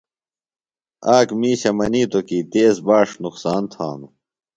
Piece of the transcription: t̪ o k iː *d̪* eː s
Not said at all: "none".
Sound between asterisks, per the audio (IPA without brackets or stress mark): t̪